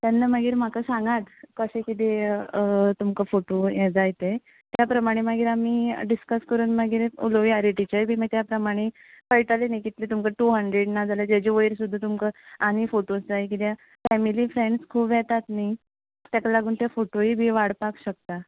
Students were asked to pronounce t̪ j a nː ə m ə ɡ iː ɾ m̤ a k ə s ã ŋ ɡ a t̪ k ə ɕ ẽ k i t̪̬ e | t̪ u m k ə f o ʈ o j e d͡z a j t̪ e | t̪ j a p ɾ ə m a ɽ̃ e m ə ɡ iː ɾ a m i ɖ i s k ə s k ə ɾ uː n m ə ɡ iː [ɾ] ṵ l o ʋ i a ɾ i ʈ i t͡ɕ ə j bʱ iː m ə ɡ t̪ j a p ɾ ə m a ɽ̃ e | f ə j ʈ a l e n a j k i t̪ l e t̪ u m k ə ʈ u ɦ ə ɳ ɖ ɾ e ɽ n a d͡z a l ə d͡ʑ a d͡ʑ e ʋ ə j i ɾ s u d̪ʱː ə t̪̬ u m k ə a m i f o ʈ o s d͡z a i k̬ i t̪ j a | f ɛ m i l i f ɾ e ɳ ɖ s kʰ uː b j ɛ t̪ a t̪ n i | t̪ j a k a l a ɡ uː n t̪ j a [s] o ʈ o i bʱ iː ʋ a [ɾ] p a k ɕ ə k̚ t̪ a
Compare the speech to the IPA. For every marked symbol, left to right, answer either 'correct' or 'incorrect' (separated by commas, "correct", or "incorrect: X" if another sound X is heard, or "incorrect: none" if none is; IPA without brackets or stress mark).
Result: correct, incorrect: f, incorrect: ɽ